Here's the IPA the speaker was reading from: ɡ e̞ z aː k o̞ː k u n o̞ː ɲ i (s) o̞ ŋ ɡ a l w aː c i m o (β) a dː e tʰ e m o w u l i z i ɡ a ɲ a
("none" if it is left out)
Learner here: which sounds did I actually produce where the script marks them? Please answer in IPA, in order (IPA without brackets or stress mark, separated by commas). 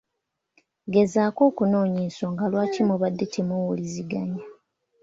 s, β